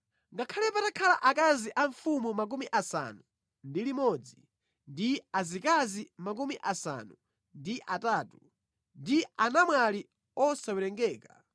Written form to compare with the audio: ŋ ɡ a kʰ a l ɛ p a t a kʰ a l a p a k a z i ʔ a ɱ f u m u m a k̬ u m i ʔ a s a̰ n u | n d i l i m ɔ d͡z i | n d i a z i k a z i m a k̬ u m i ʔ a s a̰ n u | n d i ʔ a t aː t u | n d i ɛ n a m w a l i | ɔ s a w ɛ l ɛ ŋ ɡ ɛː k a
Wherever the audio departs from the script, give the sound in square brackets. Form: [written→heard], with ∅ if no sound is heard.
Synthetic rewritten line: ŋ ɡ a kʰ a l ɛ p a t a kʰ a l a [p→ʔ] a k a z i ʔ a ɱ f u m u m a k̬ u m i ʔ a s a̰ n u | n d i l i m ɔ d͡z i | n d i a z i k a z i m a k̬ u m i ʔ a s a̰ n u | n d i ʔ a t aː t u | n d i [ɛ→a] n a m w a l i | ɔ s a w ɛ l ɛ ŋ ɡ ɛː k a